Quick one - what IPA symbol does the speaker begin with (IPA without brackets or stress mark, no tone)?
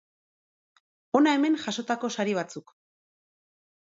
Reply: o̞